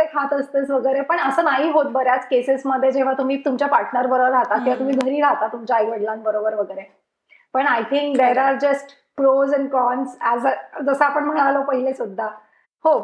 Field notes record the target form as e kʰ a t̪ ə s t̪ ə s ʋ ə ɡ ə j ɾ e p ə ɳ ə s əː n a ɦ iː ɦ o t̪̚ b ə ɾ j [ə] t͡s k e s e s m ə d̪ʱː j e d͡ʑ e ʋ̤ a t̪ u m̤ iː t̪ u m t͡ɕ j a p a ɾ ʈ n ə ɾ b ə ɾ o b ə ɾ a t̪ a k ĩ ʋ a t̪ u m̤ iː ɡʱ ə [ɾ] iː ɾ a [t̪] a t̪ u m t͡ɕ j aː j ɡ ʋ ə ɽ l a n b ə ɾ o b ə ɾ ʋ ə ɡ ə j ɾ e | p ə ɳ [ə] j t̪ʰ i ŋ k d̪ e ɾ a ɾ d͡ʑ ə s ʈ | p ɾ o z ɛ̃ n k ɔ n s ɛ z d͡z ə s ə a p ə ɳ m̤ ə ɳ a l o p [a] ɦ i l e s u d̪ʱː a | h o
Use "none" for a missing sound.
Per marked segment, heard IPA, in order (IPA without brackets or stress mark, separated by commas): a, ɾ, t̪, a, ə